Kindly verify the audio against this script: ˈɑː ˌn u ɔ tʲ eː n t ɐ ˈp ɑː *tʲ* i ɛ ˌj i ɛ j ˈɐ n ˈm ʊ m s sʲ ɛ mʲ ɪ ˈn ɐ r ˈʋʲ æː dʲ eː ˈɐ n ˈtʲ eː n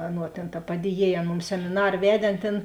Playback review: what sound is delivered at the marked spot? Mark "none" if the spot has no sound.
dʲ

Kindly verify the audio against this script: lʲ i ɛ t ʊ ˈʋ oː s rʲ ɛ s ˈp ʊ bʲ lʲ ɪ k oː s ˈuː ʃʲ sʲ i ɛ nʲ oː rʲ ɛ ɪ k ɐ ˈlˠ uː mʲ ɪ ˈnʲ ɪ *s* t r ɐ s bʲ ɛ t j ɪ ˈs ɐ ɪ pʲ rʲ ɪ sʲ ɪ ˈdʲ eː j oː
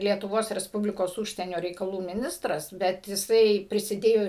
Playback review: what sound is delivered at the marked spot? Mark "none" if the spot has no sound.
s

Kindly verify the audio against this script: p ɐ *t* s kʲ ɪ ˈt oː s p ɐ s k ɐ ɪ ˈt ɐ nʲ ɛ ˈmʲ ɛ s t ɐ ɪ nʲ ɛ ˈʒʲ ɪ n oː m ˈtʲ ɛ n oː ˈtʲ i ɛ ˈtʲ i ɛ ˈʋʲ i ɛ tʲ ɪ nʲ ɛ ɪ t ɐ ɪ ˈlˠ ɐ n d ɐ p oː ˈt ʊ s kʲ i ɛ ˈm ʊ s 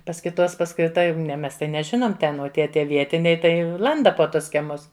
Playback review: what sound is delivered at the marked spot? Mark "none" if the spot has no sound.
none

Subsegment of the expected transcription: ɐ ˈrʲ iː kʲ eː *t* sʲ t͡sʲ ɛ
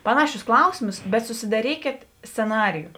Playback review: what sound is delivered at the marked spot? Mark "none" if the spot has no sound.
t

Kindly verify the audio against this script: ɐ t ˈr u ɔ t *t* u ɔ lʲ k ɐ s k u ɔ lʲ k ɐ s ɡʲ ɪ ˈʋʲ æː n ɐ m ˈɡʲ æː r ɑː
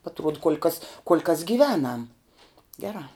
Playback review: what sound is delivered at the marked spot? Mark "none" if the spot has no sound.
k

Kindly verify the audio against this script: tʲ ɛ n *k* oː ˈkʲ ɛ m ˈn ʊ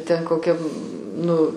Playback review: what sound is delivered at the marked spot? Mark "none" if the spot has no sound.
k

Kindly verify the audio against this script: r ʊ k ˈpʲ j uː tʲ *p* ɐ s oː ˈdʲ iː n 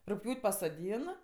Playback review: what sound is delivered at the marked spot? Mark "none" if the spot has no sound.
p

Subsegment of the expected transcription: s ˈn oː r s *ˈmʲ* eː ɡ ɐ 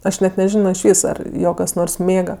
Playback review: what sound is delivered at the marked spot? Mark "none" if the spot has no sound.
mʲ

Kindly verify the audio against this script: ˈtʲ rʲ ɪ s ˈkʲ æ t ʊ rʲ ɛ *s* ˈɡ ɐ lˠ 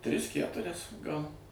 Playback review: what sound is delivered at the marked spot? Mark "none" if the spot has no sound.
s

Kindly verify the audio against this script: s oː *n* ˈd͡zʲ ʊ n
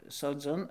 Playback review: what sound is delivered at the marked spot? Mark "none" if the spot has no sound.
none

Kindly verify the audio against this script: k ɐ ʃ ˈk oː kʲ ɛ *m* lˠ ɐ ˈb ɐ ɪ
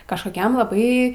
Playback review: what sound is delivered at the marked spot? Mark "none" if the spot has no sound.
m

